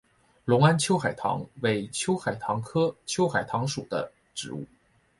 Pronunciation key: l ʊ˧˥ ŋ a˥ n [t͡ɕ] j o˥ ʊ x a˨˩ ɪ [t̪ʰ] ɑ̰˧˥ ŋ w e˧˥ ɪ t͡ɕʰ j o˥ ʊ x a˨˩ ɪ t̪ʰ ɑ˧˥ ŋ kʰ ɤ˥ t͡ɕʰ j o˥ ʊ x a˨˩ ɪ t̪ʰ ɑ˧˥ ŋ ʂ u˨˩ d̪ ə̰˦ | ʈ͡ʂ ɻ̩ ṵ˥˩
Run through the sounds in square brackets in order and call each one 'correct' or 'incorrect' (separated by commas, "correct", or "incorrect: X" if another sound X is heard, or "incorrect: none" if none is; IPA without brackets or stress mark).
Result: incorrect: t͡ɕʰ, correct